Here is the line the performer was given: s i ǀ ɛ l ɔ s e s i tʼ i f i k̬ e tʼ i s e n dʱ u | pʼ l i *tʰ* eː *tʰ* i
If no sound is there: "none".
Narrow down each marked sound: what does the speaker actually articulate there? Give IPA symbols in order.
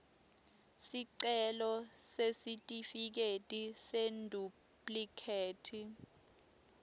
kʰ, tʰ

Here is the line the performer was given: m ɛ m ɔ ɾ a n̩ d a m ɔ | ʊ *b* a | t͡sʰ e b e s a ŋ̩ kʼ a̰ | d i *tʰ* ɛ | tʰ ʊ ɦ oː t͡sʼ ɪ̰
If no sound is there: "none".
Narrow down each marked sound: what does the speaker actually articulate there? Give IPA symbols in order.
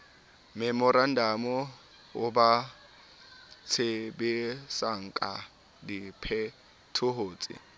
b, pʰ

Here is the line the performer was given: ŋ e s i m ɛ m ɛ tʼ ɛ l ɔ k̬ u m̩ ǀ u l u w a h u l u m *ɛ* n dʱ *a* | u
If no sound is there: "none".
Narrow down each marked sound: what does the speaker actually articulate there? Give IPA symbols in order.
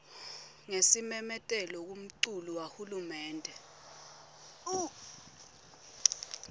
ɛː, ɛ

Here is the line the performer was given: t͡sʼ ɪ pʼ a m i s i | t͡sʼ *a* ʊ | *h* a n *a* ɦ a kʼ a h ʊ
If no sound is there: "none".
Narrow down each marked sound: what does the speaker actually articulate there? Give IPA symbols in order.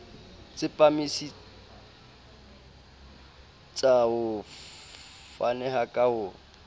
a, f, ɛ

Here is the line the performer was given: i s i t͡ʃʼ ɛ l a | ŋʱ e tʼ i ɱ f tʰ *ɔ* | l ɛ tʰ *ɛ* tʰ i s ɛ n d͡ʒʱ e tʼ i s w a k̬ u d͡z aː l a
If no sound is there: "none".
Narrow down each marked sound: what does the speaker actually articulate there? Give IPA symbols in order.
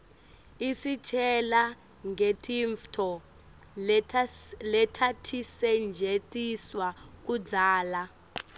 ɔ, a

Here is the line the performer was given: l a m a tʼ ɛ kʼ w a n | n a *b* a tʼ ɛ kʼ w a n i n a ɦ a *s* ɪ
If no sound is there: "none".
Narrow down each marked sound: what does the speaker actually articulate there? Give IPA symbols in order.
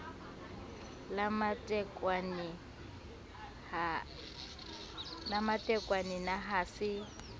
m, s

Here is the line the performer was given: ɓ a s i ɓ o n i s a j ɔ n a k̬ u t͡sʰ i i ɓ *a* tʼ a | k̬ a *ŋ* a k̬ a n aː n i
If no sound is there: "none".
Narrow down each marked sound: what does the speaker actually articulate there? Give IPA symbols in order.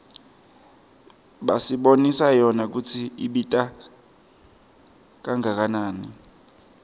i, ŋ

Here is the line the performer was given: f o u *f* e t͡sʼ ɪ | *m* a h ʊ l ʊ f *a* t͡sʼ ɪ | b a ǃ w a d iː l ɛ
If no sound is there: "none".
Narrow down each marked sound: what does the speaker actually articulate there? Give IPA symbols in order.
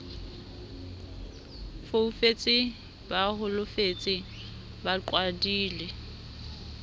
f, b, e

